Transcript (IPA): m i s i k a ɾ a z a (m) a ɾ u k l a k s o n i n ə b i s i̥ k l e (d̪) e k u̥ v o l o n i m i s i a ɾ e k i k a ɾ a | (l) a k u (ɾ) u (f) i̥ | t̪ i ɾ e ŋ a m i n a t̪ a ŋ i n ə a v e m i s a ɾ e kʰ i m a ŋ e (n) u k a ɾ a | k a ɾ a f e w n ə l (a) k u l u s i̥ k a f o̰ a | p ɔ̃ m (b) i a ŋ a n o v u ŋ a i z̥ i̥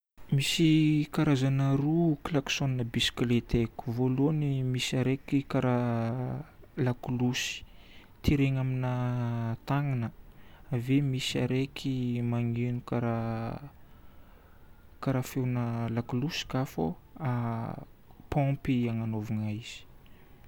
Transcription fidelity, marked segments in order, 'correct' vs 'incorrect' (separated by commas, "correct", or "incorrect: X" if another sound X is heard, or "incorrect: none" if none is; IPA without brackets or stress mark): incorrect: n, incorrect: t̪, correct, incorrect: l, incorrect: s, correct, correct, incorrect: p